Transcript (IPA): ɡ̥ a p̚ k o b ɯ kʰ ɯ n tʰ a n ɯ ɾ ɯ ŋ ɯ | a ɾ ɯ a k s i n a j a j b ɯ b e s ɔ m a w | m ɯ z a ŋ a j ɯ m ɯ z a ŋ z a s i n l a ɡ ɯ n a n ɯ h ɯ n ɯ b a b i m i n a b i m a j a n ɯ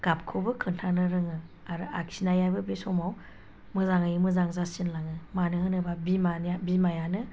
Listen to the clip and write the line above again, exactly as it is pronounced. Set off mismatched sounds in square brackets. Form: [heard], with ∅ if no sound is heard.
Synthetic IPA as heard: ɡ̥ a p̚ [kʰ] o b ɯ kʰ ɯ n tʰ a n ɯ ɾ ɯ ŋ ɯ | a ɾ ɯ a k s i n a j a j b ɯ b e s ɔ m a w | m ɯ z a ŋ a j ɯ m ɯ z a ŋ z a s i n l a [ŋ] ɯ [m] a n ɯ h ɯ n ɯ b a b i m [a] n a b i m a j a n ɯ